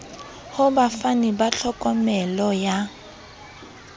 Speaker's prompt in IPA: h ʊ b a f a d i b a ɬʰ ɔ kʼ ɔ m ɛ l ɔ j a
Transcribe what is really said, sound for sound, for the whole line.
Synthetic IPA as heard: h ʊ b a f a n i b a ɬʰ ɔ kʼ ɔ m ɛ l ɔ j a